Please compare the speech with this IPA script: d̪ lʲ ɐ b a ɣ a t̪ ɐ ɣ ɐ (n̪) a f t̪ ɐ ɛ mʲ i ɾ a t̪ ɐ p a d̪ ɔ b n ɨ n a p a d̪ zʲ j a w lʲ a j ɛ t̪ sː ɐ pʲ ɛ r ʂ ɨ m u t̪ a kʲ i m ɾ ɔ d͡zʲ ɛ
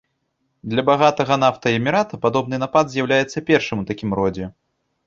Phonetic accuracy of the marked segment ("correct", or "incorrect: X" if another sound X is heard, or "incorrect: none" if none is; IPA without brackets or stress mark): correct